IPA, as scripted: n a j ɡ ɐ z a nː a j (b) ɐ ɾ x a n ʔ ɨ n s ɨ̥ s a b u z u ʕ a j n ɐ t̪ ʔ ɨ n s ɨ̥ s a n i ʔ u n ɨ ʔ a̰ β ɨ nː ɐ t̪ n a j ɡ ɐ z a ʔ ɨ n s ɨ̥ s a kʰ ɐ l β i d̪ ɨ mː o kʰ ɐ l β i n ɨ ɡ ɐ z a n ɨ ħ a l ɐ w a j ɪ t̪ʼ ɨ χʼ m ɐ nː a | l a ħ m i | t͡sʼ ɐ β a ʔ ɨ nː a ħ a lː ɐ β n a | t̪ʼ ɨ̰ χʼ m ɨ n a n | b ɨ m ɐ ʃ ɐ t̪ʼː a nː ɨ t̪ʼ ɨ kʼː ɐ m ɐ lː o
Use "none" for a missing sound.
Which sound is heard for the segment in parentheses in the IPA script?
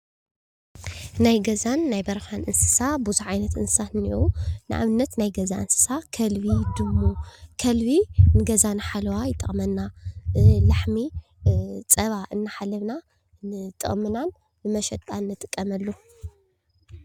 b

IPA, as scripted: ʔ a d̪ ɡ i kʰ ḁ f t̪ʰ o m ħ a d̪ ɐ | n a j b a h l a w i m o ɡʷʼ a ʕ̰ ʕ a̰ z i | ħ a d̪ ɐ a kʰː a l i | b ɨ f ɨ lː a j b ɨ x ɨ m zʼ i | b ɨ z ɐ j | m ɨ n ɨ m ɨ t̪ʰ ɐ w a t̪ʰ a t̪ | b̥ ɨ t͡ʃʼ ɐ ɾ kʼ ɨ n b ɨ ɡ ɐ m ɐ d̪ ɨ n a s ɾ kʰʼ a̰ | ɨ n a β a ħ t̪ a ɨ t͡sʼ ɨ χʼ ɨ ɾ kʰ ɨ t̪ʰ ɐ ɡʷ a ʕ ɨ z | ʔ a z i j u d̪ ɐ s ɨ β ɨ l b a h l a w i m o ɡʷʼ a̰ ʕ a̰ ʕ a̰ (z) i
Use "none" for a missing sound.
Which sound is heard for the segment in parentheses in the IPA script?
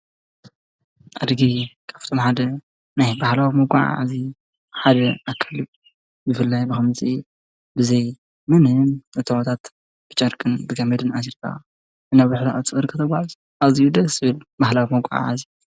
z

